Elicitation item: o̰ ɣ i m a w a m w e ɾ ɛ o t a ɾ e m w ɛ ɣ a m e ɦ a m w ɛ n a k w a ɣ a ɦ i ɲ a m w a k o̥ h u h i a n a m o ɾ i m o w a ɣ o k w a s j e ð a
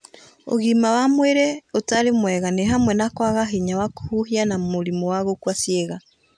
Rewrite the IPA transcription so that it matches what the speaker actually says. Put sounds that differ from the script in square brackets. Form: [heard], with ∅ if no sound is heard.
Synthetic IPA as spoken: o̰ ɣ i m a w a m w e ɾ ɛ o t a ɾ e m w ɛ ɣ a [n] e ɦ a m w ɛ n a k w a ɣ a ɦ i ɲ a [∅] w a k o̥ h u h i a n a m o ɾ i m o w a ɣ o k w a s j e [ɣ] a